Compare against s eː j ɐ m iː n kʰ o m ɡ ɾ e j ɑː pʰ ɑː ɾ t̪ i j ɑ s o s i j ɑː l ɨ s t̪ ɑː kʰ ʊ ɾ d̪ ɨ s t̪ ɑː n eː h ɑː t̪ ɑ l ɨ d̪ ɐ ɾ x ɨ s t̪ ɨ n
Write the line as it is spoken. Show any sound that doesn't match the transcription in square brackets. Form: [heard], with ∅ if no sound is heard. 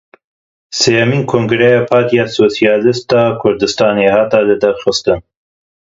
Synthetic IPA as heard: s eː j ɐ m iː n kʰ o [ŋ] ɡ ɾ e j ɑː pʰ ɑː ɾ t̪ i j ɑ s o s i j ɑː l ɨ s t̪ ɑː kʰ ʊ ɾ d̪ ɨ s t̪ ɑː n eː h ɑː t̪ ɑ l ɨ d̪ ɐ ɾ x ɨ s t̪ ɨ n